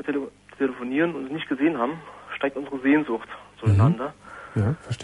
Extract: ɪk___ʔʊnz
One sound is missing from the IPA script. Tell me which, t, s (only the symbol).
t